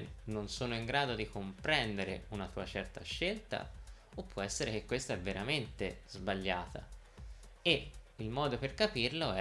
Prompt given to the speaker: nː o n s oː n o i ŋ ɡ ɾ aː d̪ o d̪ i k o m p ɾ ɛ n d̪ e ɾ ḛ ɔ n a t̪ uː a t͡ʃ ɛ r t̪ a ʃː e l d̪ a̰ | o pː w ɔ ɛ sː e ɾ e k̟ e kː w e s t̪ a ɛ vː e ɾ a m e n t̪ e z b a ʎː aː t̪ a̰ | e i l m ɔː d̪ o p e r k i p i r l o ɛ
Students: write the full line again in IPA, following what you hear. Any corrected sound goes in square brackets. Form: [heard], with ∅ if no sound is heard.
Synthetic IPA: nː o n s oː n o i ŋ ɡ ɾ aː d̪ o d̪ i k o m p ɾ ɛ n d̪ e ɾ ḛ [u] n a t̪ uː a t͡ʃ ɛ r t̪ a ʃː e l [t̪] a̰ | o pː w ɔ ɛ sː e ɾ e k̟ e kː w e s t̪ a ɛ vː e ɾ a m e n t̪ e z b a ʎː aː t̪ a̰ | e i l m ɔː d̪ o p e r k [a] p i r l o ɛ